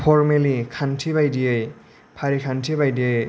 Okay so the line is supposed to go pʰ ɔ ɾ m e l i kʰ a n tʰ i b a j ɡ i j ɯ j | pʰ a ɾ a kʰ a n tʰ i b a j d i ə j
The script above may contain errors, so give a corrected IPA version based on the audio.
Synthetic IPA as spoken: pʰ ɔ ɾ m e l i kʰ a n tʰ i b a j d i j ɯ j | pʰ a ɾ i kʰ a n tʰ i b a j d i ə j